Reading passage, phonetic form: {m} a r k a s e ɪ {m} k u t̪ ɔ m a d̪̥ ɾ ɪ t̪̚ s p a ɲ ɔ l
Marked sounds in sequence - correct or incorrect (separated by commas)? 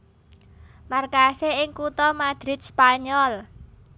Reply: correct, incorrect